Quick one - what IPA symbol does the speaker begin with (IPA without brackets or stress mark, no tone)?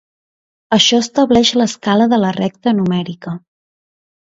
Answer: ə